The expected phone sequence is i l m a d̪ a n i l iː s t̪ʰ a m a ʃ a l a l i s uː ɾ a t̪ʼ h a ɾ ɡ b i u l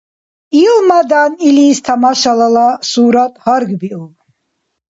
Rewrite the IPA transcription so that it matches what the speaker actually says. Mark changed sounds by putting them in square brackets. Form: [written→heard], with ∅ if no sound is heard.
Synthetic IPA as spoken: i l m a d̪ a n i l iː s t̪ʰ a m a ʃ a l a l [i→a] s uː ɾ a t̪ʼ h a ɾ ɡ b i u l